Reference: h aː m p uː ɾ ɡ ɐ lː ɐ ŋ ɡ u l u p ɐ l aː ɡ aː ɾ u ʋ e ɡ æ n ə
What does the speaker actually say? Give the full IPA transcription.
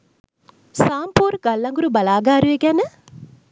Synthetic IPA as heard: s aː m p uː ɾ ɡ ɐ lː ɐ ŋ ɡ u ɾ u b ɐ l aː ɡ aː ɾ u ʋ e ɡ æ n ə

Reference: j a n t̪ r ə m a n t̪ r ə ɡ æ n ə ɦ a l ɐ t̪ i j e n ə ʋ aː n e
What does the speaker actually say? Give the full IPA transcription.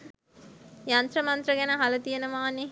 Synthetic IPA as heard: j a n t̪ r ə m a n t̪ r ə ɡ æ n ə ɦ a l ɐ t̪ i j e n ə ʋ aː n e

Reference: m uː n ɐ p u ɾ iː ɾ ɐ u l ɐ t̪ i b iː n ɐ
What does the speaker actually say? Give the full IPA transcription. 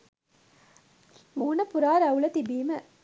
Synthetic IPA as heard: m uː n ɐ p u ɾ aː ɾ ɐ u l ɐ t̪ i b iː m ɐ

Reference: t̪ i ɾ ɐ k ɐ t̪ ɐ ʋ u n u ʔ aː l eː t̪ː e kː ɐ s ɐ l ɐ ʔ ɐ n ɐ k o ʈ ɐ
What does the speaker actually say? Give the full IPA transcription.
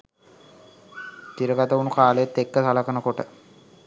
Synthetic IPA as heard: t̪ i ɾ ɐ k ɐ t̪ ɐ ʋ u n u k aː l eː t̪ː e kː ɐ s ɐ l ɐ k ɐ n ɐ k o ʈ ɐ

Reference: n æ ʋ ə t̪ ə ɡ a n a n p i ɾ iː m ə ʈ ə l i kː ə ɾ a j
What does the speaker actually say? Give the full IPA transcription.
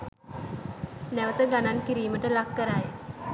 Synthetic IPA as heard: n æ ʋ ə t̪ ə ɡ a n a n k i ɾ iː m ə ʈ ə l a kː ə ɾ a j

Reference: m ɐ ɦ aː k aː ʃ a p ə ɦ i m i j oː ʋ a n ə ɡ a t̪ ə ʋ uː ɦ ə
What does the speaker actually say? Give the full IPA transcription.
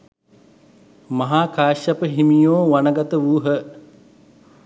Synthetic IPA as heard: m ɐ ɦ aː k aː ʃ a p ə ɦ i m i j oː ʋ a n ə ɡ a t̪ ə ʋ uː ɦ ə

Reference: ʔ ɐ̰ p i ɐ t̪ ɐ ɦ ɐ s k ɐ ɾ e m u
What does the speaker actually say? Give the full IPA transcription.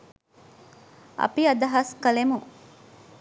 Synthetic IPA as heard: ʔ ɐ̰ p i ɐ d̪ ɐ ɦ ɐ s k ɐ l e m u

